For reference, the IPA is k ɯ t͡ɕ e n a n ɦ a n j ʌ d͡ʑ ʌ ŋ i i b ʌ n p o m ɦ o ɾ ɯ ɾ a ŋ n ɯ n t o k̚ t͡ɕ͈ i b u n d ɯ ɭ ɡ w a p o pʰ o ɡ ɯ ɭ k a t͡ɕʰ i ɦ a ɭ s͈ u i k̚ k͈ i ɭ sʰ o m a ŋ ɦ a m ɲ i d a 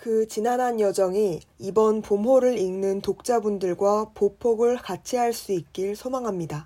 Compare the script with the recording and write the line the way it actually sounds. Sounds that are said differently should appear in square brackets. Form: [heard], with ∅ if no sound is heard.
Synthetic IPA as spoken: k ɯ t͡ɕ [i] n a n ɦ a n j ʌ d͡ʑ ʌ ŋ i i b ʌ n p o m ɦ o ɾ ɯ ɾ [i] ŋ n ɯ n t o k̚ t͡ɕ͈ [a] b u n d ɯ ɭ ɡ w a p o pʰ o ɡ ɯ ɭ k a t͡ɕʰ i ɦ a ɭ s͈ u i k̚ k͈ i ɭ sʰ o m a ŋ ɦ a m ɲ i d a